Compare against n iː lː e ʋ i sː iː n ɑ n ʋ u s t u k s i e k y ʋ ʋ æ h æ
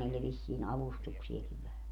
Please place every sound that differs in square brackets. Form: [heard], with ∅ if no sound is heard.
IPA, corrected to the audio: n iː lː e ʋ i sː iː n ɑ [∅] ʋ u s t u k s i e k [i] ʋ ʋ æ h æ